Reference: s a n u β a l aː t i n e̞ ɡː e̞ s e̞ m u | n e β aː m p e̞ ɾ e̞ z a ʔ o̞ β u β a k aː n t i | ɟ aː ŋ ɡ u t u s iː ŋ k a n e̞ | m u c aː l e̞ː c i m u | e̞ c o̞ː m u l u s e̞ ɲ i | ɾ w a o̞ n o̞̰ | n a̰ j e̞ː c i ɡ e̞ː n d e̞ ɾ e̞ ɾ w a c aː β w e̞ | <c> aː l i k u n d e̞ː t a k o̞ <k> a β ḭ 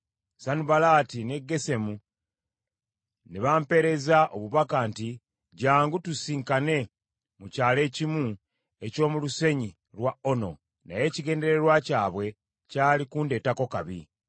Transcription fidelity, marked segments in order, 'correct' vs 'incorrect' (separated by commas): correct, correct